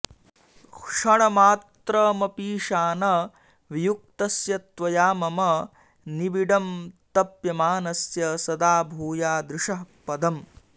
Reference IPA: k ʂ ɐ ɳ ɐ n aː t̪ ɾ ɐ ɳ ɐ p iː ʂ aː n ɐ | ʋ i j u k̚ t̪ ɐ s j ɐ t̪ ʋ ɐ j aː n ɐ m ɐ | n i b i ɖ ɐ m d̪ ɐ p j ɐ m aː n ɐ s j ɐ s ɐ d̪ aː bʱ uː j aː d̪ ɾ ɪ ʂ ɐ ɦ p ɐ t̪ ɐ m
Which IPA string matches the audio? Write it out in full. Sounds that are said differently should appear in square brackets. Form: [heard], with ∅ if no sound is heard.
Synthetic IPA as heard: k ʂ ɐ ɳ ɐ [m] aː t̪ ɾ ɐ [m] ɐ p iː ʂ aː n ɐ | ʋ i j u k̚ t̪ ɐ s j ɐ t̪ ʋ ɐ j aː [m] ɐ m ɐ | n i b i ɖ ɐ m [t̪] ɐ p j ɐ m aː n ɐ s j ɐ s ɐ d̪ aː bʱ uː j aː d̪ ɾ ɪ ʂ ɐ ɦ p ɐ [d̪] ɐ m